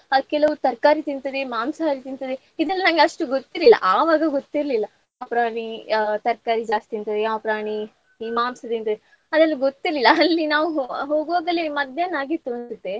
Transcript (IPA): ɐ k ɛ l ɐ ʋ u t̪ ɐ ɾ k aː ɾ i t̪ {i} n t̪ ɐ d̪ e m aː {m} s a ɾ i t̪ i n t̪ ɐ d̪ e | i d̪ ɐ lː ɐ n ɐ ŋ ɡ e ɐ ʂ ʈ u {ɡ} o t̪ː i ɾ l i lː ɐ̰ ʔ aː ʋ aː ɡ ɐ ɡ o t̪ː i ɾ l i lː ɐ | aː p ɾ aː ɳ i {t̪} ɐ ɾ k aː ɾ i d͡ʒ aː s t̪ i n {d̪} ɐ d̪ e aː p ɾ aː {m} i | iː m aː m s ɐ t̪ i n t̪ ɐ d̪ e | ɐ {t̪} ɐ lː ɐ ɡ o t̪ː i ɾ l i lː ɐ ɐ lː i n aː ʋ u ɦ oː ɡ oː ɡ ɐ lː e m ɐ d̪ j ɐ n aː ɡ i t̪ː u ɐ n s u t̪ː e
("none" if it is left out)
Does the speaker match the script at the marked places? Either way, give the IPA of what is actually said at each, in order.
i, m, ɡ, t̪, t̪, ɳ, d̪

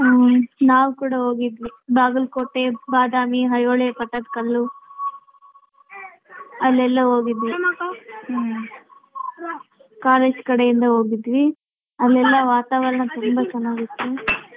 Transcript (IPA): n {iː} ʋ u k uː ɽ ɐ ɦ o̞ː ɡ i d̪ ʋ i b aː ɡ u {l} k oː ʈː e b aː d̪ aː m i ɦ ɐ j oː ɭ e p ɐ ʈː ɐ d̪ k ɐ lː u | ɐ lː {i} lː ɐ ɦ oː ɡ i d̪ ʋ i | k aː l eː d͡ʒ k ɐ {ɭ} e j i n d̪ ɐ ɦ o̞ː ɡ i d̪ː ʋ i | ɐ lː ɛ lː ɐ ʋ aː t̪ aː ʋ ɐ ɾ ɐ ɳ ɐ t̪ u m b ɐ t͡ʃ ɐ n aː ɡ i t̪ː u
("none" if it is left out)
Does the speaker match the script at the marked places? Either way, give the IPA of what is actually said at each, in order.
aː, l, ɛ, ɽ

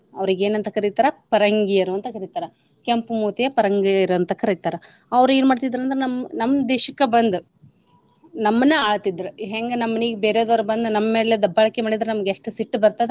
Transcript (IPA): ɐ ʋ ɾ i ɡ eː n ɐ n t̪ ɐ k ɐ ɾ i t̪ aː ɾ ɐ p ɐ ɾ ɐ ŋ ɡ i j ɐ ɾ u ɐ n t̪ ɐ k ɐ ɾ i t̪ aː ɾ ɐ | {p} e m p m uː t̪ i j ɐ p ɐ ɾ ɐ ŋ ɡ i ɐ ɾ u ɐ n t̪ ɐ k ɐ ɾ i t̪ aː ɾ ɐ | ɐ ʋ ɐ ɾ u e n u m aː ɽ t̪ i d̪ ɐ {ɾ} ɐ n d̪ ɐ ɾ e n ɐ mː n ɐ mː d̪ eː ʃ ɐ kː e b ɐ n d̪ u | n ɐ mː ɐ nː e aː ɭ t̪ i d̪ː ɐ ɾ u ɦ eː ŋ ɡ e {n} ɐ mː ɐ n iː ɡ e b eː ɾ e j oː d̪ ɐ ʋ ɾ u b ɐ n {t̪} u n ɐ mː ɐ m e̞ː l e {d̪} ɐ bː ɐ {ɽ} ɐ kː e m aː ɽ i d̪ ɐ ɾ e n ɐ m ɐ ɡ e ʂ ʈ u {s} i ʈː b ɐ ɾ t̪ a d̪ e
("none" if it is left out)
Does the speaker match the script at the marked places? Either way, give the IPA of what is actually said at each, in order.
k, ɾ, n, d̪, d̪, ɭ, s

